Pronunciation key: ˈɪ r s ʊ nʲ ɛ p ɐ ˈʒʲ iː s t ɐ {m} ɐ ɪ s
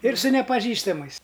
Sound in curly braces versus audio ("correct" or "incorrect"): correct